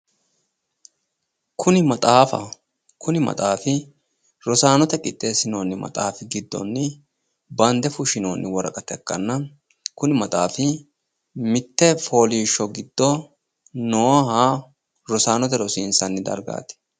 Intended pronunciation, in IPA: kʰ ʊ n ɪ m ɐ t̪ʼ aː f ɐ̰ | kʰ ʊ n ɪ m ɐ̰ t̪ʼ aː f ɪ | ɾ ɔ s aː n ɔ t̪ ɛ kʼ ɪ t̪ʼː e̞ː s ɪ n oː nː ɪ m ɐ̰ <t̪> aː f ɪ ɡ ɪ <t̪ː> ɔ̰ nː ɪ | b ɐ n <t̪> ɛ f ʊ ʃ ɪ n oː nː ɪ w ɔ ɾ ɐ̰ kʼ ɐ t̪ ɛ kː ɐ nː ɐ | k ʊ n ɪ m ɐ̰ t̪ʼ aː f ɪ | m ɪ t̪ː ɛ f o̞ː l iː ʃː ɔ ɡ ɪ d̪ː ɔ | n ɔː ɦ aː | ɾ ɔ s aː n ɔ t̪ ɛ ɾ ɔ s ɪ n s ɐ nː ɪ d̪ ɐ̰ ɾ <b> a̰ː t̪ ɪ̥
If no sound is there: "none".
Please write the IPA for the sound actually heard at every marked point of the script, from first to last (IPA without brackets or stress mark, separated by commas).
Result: t̪ʼ, d̪ː, d̪, ɡ